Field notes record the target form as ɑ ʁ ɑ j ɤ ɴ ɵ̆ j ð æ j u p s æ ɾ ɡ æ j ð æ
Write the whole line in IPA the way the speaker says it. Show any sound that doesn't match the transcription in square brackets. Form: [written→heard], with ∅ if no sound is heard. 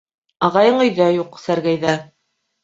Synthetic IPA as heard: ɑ ʁ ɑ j ɤ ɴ ɵ̆ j ð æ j u [p→q] s æ ɾ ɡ æ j ð æ